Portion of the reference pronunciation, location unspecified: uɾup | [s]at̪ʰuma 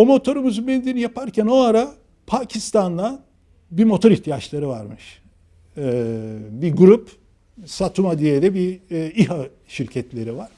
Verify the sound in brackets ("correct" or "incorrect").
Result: correct